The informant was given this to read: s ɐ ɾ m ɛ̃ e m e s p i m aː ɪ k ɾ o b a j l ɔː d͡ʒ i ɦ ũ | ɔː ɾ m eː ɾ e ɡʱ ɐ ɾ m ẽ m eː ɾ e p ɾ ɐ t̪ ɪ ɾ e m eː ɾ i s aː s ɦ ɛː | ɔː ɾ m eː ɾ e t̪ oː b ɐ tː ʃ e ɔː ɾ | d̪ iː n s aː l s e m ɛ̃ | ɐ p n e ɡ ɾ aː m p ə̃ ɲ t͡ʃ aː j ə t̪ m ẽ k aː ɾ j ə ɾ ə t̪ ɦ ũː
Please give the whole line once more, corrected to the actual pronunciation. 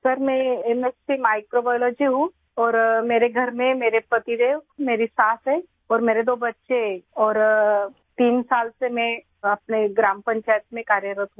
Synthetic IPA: s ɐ ɾ m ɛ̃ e m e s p i m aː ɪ k ɾ o b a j l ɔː d͡ʒ i ɦ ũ | ɔː ɾ m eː ɾ e ɡʱ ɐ ɾ m ẽ m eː ɾ e p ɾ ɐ t̪ i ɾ e m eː ɾ i s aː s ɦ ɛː | ɔː ɾ m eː ɾ e d̪ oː b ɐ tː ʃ e ɔː ɾ | t̪ iː n s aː l s e m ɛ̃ | ɐ p n e ɡ ɾ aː m p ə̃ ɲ t͡ʃ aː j ə t̪ m ẽ k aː ɾ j ə ɾ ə t̪ ɦ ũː